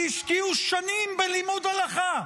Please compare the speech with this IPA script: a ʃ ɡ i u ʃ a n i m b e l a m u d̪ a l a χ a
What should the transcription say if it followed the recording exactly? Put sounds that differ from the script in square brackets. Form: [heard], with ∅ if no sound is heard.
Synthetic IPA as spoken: [i] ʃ [k] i u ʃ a n i m b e l [i] m u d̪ a l a χ a